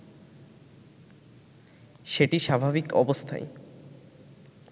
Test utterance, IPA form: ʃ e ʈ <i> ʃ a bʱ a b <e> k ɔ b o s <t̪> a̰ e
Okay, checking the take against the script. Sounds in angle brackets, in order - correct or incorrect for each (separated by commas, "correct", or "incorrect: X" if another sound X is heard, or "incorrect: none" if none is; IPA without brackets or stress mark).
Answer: correct, incorrect: i, incorrect: t̪ʰ